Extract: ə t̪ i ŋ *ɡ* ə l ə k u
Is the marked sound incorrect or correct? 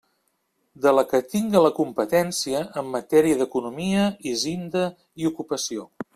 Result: correct